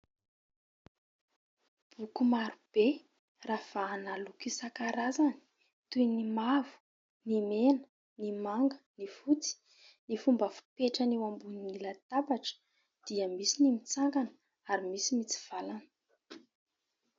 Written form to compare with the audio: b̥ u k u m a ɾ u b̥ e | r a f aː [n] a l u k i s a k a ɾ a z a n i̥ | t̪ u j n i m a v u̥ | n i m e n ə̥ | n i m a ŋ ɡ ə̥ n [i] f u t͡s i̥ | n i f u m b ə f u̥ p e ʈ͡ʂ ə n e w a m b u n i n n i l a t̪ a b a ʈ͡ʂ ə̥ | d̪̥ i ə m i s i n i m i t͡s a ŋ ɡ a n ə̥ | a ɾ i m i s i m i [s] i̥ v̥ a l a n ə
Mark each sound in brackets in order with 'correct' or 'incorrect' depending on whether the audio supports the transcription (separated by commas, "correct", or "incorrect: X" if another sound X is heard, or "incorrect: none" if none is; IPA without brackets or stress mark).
correct, correct, incorrect: t͡s